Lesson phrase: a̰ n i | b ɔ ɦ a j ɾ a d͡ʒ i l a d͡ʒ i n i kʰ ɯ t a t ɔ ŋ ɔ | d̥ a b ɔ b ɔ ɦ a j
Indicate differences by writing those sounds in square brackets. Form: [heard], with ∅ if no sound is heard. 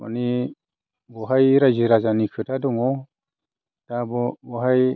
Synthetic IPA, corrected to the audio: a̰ n i | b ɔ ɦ a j ɾ a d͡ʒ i [ɾ] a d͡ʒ [a] n i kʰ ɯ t a [d] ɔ ŋ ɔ | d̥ a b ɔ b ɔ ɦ a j

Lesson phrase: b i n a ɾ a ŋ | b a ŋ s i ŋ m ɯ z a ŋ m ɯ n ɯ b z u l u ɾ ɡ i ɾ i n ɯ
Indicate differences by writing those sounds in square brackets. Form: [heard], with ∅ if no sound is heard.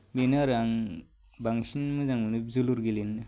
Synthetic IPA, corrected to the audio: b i n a ɾ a ŋ | b a ŋ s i [n] m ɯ z a ŋ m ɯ n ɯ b z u l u ɾ ɡ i [l] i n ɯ

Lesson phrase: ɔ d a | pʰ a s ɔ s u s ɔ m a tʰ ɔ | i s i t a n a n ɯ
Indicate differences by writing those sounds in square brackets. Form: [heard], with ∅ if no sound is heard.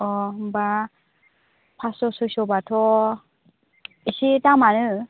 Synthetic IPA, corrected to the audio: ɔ [b] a | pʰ a s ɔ s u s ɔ [b] a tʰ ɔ | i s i t a [m] a n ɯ

